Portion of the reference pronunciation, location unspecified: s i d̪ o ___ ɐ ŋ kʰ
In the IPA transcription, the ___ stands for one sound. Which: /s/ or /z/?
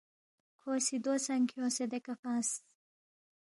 s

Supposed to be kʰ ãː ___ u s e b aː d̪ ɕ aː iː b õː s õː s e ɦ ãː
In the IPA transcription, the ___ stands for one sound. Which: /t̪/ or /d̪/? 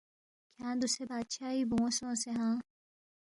d̪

